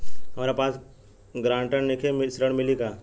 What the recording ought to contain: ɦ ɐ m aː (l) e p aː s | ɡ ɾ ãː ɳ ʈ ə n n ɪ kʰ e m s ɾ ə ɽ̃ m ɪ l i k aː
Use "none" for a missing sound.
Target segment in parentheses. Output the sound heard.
ɾ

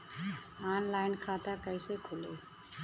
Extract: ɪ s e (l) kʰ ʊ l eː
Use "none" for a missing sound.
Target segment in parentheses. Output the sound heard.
none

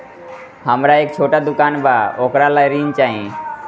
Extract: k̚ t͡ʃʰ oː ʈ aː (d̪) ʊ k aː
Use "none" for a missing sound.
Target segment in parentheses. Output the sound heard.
d̪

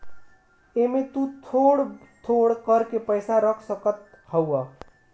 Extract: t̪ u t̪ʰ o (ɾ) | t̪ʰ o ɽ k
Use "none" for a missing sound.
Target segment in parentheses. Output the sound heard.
ɽ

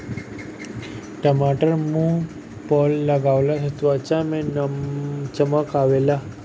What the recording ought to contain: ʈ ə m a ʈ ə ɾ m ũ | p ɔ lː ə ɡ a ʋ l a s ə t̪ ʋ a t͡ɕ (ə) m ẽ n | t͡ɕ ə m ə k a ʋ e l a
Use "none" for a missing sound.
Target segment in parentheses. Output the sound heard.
a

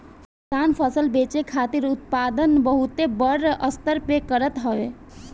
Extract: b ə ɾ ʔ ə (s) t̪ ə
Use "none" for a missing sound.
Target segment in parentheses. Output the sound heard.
s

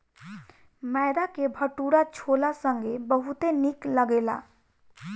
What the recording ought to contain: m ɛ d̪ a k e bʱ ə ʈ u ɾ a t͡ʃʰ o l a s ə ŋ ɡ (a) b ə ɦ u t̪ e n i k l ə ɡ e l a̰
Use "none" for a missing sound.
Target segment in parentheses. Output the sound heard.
e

